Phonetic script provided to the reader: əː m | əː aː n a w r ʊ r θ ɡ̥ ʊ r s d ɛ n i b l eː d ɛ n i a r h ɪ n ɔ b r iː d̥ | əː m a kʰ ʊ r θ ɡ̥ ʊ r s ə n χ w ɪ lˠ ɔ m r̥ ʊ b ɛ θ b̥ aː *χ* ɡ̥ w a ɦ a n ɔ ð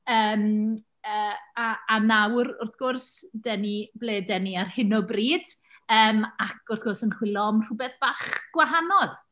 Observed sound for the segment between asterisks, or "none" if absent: χ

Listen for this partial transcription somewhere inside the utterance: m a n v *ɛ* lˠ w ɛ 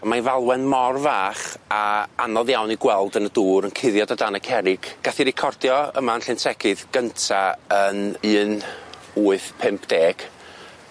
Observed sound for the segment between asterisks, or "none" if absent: a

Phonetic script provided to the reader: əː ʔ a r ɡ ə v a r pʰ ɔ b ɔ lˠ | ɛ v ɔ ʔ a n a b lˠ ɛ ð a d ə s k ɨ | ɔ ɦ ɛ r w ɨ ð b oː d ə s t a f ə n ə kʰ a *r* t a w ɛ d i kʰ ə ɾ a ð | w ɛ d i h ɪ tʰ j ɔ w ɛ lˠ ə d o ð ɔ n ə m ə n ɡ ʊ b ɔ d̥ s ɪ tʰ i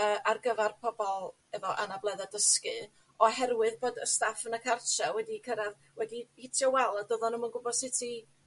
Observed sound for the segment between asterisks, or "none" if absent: r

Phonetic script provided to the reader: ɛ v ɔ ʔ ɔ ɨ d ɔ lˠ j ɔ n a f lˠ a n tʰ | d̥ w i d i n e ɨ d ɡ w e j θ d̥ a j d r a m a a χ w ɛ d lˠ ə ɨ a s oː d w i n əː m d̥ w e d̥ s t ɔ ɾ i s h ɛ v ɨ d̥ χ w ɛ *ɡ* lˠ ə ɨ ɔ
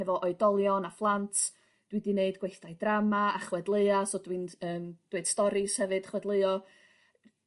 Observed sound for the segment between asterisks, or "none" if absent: d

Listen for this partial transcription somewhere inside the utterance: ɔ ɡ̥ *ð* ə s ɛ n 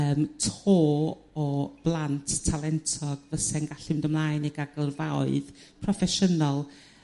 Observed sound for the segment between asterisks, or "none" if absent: v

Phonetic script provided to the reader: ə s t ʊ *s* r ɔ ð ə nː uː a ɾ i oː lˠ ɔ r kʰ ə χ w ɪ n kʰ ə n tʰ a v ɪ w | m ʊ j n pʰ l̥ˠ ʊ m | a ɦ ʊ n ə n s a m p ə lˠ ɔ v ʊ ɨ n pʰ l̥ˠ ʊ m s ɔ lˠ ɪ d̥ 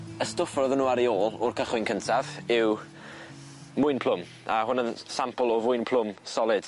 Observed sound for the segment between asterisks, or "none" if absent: f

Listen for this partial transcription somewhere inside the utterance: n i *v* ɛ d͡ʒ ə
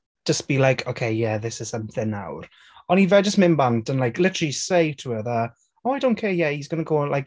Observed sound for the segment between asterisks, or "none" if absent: v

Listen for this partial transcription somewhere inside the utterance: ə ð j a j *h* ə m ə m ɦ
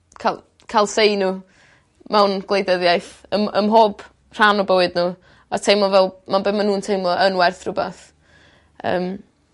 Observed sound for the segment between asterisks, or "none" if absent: θ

